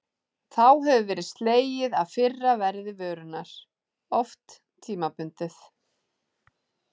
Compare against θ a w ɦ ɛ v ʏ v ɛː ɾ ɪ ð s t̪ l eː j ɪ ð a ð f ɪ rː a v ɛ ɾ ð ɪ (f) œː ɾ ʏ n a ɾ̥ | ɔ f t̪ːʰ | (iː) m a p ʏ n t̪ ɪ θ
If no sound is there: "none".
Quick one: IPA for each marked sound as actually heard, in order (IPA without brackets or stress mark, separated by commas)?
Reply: v, iː